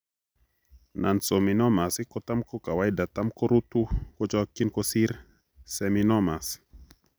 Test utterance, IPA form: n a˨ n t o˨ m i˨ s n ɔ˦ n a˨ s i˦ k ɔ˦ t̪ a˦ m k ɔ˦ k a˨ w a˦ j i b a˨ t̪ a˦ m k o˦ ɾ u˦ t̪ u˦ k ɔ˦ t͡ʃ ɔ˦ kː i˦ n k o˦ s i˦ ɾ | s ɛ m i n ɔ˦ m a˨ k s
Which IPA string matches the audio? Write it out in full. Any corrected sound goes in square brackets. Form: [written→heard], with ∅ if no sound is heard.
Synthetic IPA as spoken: n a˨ n [t→s] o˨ m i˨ [s→∅] n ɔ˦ [n→m] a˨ s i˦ k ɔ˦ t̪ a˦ m k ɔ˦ k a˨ w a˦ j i [b→d] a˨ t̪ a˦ m k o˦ ɾ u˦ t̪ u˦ k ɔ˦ t͡ʃ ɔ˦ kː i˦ n k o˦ s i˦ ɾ | s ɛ m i n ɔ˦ m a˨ [k→∅] s